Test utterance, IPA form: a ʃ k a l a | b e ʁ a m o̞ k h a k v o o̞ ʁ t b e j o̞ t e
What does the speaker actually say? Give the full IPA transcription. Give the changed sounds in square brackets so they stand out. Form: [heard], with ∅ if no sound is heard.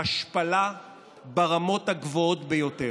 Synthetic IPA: a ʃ [p] a l a | b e ʁ a m o̞ [t] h a [ɡ] v o o̞ [∅] t b e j o̞ t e